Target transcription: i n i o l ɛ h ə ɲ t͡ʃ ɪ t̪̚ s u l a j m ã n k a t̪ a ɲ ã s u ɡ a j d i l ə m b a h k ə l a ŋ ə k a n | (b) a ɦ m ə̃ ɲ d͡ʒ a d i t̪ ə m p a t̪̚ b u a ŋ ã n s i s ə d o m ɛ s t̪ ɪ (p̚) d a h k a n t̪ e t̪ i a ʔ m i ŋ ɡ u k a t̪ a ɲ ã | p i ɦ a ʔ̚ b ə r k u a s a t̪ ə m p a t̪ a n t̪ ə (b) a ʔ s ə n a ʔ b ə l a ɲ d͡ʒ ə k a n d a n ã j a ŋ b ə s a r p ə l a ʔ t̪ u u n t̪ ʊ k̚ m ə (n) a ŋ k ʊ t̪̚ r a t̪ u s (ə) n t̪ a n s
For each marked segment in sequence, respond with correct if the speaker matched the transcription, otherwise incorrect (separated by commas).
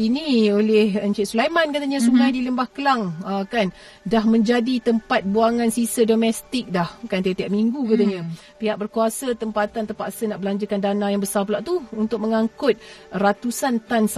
incorrect, incorrect, incorrect, incorrect, incorrect